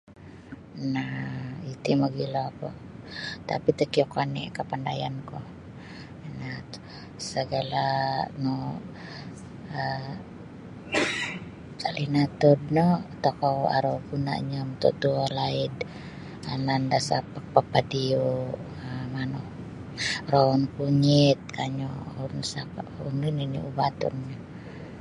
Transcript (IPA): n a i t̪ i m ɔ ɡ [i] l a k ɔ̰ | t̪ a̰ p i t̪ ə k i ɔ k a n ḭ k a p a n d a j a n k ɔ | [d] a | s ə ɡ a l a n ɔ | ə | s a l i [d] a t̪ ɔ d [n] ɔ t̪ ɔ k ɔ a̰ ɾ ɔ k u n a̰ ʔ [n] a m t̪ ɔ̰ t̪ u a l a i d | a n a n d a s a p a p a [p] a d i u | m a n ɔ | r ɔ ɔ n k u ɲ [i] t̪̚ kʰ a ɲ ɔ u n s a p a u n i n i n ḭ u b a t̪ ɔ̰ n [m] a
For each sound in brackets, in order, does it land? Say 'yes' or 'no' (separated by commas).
yes, no, no, yes, no, yes, yes, no